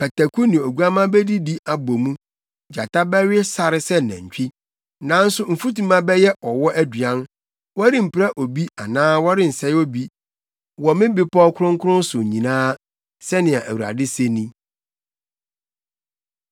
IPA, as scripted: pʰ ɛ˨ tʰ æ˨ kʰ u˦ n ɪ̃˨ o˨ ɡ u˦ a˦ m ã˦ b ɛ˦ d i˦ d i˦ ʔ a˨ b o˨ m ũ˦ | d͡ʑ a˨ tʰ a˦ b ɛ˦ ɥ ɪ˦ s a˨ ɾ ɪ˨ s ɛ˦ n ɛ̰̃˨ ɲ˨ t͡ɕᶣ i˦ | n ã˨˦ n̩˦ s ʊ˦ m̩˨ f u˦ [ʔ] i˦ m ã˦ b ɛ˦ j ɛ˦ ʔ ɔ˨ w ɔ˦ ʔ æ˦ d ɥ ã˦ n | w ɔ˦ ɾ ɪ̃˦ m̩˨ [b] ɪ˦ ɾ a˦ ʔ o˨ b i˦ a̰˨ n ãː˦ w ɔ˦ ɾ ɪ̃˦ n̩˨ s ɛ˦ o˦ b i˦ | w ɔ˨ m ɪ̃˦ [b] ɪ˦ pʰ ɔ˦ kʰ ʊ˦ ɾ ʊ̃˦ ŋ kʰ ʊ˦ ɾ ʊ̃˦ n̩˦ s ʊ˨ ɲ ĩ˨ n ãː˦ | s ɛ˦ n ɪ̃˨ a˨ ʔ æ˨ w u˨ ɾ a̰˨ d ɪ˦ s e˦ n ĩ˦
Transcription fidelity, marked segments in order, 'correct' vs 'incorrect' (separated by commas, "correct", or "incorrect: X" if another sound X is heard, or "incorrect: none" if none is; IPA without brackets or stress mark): incorrect: t, incorrect: p, correct